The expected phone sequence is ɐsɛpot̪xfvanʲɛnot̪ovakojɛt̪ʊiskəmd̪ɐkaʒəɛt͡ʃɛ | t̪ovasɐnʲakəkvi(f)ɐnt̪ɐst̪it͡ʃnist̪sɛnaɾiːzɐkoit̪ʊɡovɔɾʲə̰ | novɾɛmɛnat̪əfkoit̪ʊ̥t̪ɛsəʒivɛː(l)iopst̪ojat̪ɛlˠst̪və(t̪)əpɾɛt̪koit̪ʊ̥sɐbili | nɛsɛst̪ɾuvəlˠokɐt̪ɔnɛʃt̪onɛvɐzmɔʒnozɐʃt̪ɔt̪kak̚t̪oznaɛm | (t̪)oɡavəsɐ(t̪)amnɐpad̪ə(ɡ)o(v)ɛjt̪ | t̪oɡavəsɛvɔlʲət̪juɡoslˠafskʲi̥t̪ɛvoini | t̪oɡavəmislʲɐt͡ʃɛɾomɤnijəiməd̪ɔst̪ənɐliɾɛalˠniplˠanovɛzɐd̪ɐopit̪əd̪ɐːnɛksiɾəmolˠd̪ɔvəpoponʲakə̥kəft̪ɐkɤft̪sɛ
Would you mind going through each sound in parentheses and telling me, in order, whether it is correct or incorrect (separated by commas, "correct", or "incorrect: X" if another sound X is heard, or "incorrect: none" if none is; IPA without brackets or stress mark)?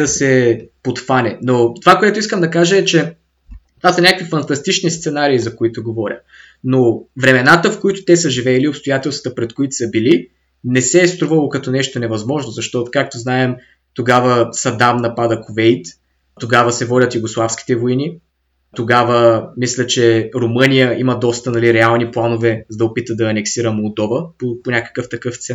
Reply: correct, correct, correct, correct, incorrect: d̪, incorrect: k, correct